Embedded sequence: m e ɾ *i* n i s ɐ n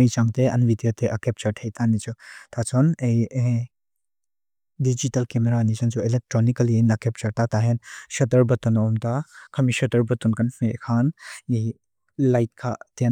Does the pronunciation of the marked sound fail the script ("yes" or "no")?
yes